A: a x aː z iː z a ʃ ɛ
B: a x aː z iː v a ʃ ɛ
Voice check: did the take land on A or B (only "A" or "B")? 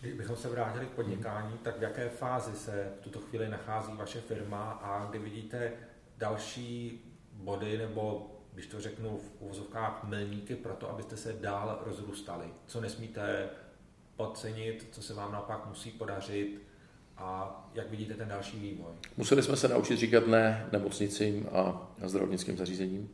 B